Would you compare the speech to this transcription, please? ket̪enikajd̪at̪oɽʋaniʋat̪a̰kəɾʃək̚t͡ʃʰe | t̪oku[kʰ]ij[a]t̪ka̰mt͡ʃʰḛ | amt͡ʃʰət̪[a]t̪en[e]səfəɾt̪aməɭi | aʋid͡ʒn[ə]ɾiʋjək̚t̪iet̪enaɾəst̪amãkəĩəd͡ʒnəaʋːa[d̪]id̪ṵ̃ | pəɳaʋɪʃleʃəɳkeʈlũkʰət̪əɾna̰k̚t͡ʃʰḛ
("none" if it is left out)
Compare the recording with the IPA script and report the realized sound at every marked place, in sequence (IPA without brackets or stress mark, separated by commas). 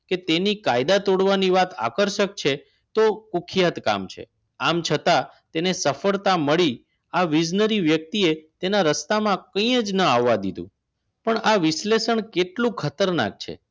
kʰ, a, a, e, ə, d̪